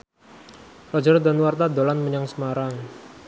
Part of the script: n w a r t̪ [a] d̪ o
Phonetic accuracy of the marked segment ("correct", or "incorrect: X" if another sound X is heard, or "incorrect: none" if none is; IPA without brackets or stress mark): correct